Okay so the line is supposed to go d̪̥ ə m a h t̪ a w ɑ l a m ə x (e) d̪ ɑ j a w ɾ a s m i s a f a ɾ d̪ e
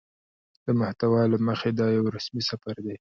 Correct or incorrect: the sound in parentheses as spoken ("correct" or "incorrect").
correct